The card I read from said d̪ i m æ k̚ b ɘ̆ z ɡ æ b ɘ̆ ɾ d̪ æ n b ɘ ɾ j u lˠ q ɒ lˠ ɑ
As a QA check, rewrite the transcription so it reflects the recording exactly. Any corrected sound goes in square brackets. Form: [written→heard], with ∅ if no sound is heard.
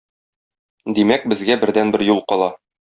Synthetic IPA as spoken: d̪ i m æ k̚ b ɘ̆ z ɡ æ b ɘ̆ ɾ d̪ æ n b ɘ ɾ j u lˠ q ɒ lˠ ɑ